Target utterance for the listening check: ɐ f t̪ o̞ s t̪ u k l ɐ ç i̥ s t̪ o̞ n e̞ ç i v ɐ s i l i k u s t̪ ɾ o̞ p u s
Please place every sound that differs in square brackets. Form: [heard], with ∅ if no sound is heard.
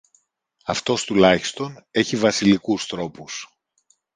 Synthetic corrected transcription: ɐ f t̪ o̞ s t̪ u [∅] l ɐ ç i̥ s t̪ o̞ n e̞ ç i v ɐ s i l i k u s t̪ ɾ o̞ p u s